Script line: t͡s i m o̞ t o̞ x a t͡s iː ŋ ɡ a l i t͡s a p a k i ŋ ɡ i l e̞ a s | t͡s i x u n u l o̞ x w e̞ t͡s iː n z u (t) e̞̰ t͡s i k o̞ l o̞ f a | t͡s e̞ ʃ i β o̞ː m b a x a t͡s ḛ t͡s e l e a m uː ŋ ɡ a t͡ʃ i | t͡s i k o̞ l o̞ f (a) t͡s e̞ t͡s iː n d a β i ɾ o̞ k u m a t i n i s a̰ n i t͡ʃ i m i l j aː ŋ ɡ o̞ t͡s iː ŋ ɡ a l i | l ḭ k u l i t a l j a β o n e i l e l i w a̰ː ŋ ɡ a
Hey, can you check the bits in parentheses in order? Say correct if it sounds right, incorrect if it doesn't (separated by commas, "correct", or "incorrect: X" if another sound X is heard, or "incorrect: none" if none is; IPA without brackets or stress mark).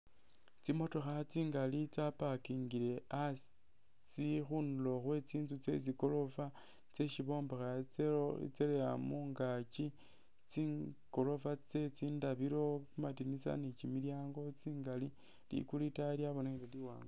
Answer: incorrect: t͡s, correct